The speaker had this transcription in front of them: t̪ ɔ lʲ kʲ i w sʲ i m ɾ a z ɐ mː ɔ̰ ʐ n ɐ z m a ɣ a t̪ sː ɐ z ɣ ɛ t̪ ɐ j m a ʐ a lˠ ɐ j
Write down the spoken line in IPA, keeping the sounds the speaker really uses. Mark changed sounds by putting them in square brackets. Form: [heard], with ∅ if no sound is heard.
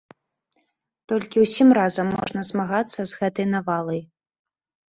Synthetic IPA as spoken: t̪ ɔ lʲ kʲ i w sʲ i m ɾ a z ɐ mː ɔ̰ ʐ n ɐ z m a ɣ a t̪ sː ɐ z ɣ ɛ t̪ ɐ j [n] a [v] a lˠ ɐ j